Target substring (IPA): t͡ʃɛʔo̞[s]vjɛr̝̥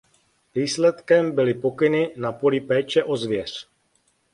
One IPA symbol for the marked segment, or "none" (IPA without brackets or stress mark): z